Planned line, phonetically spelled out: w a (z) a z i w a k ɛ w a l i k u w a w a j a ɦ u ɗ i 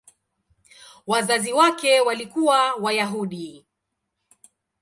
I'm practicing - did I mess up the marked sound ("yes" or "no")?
no